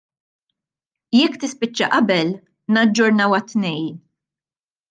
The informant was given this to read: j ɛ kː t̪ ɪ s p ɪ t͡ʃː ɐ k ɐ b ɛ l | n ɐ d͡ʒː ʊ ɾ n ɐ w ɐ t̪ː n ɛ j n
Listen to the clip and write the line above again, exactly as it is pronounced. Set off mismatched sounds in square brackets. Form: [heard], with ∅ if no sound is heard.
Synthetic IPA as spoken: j ɛ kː t̪ ɪ s p ɪ t͡ʃː ɐ [ʔ] ɐ b ɛ l | n ɐ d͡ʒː ʊ ɾ n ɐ w ɐ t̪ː n ɛ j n